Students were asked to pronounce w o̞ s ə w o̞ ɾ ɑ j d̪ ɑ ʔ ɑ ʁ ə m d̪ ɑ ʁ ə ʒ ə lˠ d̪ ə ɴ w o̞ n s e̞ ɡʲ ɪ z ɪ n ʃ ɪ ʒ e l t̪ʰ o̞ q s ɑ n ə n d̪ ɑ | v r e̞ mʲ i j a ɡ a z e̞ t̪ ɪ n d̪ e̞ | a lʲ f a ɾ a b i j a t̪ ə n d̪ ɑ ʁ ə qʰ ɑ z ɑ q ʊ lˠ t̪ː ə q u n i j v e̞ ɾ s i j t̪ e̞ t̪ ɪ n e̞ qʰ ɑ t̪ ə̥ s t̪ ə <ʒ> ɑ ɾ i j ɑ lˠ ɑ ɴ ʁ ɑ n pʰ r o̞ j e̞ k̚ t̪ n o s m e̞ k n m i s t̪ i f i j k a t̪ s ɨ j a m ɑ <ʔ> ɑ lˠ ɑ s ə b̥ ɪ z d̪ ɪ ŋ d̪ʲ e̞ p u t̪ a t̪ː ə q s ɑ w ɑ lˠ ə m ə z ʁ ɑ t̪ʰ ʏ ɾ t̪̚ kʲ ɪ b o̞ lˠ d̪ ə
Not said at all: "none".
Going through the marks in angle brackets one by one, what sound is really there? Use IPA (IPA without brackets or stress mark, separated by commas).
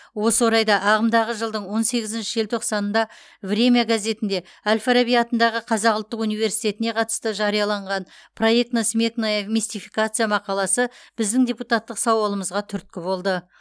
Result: ʒ, q